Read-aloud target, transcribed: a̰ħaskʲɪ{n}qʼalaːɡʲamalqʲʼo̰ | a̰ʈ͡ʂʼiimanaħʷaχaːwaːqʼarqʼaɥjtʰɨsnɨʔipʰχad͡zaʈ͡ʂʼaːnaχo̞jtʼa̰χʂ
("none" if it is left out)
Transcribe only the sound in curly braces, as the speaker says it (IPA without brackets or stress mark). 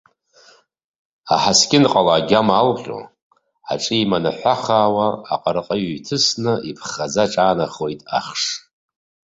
n